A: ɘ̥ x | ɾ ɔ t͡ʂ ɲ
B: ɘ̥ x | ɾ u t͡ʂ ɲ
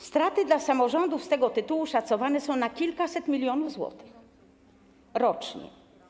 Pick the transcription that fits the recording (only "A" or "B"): A